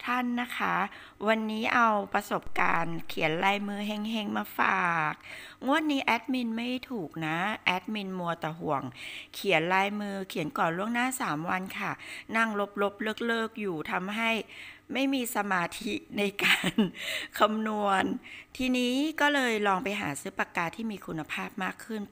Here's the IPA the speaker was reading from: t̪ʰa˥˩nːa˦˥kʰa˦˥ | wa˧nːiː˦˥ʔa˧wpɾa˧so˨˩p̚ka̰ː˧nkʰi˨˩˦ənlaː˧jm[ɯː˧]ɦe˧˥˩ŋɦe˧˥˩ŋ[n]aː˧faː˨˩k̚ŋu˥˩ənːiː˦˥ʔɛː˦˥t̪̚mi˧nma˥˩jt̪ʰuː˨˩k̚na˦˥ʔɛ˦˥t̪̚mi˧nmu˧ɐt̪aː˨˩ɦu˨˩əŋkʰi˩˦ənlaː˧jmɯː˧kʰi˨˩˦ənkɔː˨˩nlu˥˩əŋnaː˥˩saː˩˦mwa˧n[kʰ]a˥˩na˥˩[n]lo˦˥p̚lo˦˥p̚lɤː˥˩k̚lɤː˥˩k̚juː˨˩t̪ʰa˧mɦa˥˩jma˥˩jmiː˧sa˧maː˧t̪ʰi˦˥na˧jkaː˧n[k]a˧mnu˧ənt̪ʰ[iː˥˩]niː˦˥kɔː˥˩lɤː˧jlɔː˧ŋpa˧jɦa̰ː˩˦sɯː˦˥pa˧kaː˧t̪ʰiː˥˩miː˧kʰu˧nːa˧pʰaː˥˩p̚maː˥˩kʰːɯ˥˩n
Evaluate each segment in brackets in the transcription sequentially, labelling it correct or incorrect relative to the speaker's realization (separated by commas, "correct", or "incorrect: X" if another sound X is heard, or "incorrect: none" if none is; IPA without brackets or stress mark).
correct, incorrect: m, correct, incorrect: ŋ, incorrect: kʰ, incorrect: iː˧